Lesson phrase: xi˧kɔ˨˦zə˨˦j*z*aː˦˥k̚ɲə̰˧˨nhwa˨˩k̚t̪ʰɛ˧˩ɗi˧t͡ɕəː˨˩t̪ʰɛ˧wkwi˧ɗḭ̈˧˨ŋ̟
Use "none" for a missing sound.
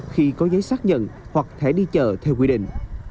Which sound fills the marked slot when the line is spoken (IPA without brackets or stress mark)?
s